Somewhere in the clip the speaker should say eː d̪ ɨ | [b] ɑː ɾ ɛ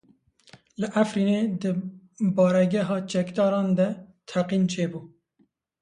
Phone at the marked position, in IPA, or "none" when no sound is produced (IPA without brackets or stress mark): b